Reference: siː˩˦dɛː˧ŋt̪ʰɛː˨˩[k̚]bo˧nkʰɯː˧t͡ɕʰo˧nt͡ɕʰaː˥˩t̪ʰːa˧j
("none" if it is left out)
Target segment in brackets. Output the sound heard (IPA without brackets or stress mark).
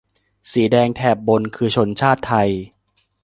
p̚